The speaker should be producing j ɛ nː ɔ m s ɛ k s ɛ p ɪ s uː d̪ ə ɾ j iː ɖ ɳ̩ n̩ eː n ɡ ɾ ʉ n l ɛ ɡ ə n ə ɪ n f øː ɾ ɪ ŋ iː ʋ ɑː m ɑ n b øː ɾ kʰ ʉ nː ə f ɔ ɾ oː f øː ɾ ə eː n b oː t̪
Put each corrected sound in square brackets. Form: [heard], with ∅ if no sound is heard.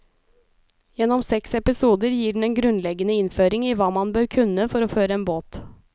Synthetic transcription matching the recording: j ɛ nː ɔ m s ɛ k s ɛ p ɪ s uː d̪ ə ɾ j iː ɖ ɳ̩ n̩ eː n ɡ ɾ ʉ n l ɛ ɡ ə n ə ɪ n f øː ɾ ɪ ŋ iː ʋ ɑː m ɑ n b øː ɾ kʰ ʉ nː ə f ɔ ɾ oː f øː ɾ ə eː n b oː t̪

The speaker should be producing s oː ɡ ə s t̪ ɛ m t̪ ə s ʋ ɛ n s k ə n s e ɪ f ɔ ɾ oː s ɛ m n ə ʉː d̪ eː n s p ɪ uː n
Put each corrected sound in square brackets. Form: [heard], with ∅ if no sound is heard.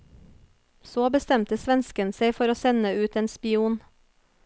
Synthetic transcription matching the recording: s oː [b] ə s t̪ ɛ m t̪ ə s ʋ ɛ n s k ə n s e ɪ f ɔ ɾ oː s ɛ [∅] n ə ʉː [t̪] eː n s p ɪ uː n

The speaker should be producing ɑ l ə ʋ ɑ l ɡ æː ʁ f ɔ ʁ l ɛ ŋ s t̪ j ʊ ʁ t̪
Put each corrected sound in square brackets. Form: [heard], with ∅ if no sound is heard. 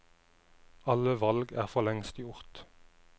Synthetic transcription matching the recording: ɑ l ə ʋ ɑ l ɡ æː ʁ f ɔ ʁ l ɛ ŋ s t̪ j ʊ ʁ t̪

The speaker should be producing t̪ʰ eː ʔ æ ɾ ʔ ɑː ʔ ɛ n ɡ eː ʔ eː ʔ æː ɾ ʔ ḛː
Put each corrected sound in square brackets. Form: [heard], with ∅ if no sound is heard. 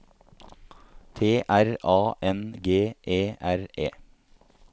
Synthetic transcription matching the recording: t̪ʰ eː ʔ æ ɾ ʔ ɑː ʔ ɛ n ɡ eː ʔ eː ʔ [æ] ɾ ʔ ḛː

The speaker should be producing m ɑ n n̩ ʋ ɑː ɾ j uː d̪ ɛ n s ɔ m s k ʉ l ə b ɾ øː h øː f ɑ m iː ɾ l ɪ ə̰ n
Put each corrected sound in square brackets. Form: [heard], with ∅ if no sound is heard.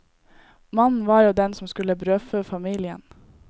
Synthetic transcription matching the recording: m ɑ n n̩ ʋ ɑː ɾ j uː d̪ ɛ n s ɔ m s k ʉ l ə b ɾ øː [f] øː f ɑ m iː [∅] l ɪ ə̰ n

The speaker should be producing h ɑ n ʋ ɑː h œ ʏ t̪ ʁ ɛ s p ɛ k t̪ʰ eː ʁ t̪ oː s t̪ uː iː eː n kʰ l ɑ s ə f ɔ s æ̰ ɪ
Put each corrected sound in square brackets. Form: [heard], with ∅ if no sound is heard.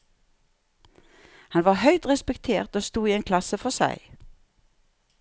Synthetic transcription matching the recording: h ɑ n ʋ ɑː h œ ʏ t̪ ʁ ɛ s p ɛ k t̪ʰ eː ʁ t̪ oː s t̪ uː iː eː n kʰ l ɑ s ə f ɔ s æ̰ ɪ

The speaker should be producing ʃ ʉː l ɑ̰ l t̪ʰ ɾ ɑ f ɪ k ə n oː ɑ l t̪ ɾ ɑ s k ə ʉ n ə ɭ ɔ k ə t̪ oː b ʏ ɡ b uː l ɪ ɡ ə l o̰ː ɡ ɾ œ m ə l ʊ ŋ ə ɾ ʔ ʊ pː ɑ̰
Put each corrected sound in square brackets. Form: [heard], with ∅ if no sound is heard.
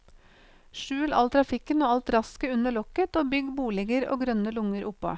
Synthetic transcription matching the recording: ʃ ʉː l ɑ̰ l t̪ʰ ɾ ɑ f ɪ k ə n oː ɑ l t̪ ɾ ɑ s k ə ʉ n ə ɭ ɔ k ə t̪ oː b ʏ ɡ b uː l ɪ ɡ ə [ɾ] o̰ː ɡ ɾ œ [n] ə l ʊ ŋ ə ɾ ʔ ʊ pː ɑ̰

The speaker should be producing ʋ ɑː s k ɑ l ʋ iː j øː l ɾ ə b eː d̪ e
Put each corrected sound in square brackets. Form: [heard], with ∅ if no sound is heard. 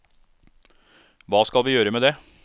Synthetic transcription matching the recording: ʋ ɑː s k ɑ l ʋ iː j øː [∅] ɾ ə [m] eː d̪ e

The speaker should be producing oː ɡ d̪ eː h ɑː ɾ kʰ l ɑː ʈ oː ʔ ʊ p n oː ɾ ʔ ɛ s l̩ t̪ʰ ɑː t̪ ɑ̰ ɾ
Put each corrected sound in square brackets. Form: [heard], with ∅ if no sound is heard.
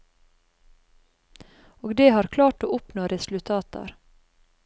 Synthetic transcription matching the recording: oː ɡ d̪ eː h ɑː ɾ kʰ l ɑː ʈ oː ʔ ʊ p n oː ɾ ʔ ɛ s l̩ t̪ʰ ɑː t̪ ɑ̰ ɾ

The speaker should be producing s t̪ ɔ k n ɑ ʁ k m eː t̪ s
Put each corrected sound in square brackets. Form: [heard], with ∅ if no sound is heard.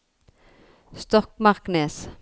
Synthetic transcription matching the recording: s t̪ ɔ k [m] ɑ ʁ k [n] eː [∅] s

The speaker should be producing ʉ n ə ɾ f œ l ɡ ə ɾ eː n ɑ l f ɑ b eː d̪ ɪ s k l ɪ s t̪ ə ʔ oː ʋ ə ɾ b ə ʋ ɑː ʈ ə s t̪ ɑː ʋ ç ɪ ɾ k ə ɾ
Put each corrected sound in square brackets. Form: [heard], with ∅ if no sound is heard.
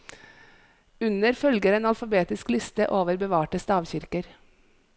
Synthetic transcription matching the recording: ʉ n ə ɾ f œ l ɡ ə ɾ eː n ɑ l f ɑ b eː [t̪] ɪ s k l ɪ s t̪ ə ʔ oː ʋ ə ɾ b ə ʋ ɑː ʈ ə s t̪ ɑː ʋ ç ɪ ɾ k ə ɾ

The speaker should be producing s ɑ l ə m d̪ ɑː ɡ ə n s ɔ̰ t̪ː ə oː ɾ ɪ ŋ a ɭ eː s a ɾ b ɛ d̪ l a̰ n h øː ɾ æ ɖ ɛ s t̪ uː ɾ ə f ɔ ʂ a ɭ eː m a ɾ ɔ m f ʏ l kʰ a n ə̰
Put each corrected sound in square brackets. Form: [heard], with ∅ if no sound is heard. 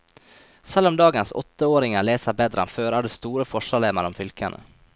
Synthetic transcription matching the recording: s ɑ l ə m d̪ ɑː ɡ ə n s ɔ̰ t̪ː ə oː ɾ ɪ ŋ a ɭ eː s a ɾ b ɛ d̪ [ɾ] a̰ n [f] øː ɾ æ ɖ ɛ s t̪ uː ɾ ə f ɔ ʂ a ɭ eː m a ɾ ɔ m f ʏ l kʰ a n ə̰

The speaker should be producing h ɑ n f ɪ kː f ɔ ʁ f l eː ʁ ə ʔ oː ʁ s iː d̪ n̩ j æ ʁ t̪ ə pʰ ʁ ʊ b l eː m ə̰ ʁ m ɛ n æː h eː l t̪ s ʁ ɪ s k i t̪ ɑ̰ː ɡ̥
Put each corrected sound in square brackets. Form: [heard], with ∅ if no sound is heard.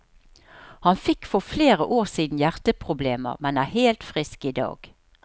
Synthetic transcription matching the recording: h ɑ n f ɪ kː f ɔ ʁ f l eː ʁ ə ʔ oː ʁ s iː d̪ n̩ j æ ʁ t̪ ə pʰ ʁ ʊ b l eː m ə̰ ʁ m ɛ n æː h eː l t̪ [f] ʁ ɪ s k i [d̪] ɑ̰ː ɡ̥

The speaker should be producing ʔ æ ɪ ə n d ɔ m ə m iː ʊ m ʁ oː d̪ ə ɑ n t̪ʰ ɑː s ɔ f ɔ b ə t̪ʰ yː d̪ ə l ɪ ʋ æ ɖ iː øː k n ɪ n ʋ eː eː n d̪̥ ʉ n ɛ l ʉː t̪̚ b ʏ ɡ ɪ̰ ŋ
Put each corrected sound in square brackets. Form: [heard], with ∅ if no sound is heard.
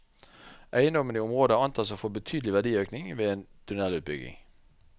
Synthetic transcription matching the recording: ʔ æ ɪ ə n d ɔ m ə [n] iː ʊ m ʁ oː d̪ ə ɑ n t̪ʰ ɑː s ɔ f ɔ b ə t̪ʰ yː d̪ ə l ɪ ʋ æ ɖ iː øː k n ɪ [ŋ] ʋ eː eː n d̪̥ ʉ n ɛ l ʉː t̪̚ b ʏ ɡ ɪ̰ ŋ

